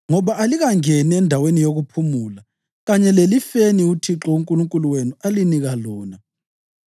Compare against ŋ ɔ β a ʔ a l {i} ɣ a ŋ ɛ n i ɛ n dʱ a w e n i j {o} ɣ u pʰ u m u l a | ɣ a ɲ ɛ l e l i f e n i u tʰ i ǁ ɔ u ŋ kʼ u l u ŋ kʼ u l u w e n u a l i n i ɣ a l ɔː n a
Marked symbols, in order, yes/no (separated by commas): yes, yes